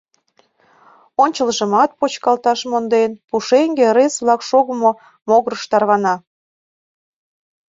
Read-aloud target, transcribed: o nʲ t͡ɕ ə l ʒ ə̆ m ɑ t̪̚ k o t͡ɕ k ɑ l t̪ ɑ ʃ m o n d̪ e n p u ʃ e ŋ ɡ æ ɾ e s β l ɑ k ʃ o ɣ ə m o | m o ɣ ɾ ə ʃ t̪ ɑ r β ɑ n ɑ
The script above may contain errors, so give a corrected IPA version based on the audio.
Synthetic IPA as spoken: o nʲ t͡ɕ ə l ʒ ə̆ m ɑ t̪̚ p o t͡ɕ k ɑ l t̪ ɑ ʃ m o n d̪ e n p u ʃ e ŋ ɡ e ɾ e s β l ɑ k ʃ o ɣ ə m o | m o ɣ ɾ ə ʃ t̪ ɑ r β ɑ n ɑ